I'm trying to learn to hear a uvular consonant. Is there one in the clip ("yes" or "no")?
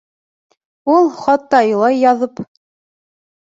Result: yes